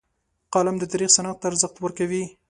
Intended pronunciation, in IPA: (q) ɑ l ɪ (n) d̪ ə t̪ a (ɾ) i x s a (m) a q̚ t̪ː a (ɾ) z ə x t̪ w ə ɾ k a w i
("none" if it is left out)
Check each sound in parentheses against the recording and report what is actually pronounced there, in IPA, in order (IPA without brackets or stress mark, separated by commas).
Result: q, m, ɾ, n, ɾ